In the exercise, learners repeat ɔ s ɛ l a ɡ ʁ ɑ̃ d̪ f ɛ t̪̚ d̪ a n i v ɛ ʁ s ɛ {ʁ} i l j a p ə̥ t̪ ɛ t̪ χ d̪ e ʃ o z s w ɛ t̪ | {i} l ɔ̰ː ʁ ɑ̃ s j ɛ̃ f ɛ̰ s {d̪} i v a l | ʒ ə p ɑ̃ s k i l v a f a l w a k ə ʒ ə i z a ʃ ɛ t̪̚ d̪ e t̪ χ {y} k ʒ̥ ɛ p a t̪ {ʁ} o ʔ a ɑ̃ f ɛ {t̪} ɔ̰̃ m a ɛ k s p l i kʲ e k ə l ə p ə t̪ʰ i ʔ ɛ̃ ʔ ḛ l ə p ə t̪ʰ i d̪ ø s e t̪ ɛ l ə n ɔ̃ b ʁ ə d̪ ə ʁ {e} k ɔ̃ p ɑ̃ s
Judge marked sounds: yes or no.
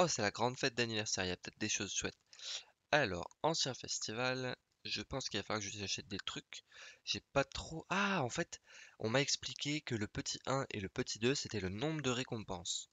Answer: yes, no, no, yes, no, yes, yes

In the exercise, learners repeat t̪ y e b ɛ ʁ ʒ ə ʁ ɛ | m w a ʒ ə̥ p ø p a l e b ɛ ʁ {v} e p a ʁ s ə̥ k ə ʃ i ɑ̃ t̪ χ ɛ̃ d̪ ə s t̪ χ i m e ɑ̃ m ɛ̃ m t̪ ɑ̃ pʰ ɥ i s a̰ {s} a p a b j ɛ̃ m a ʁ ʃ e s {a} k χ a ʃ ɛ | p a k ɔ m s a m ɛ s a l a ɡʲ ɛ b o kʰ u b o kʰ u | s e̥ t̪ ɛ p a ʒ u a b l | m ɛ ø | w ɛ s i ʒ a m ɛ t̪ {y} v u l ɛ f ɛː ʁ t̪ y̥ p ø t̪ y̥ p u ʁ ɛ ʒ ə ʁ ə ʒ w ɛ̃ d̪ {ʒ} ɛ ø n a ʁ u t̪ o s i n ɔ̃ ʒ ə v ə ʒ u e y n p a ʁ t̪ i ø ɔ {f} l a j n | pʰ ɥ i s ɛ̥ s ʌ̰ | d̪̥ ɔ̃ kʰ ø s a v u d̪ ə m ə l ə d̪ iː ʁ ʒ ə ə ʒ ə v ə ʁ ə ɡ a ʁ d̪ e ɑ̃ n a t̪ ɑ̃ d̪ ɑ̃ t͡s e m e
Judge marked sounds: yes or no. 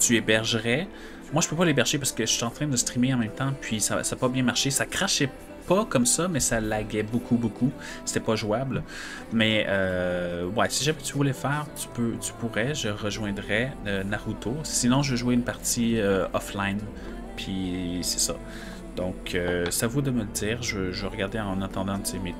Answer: no, yes, yes, yes, no, yes

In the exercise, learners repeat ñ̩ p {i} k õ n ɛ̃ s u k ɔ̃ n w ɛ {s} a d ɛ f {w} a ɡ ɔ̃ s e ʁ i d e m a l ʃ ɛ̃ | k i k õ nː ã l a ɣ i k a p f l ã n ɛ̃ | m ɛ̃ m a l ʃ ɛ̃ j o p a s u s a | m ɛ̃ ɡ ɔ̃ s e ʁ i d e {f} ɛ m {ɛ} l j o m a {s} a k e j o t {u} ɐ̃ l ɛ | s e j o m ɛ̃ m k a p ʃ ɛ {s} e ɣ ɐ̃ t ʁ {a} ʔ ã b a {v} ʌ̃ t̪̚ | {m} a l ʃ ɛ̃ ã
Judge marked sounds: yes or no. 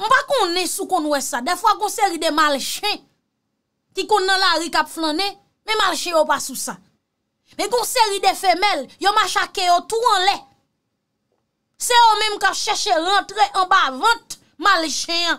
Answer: no, yes, yes, yes, yes, no, yes, no, no, yes, yes

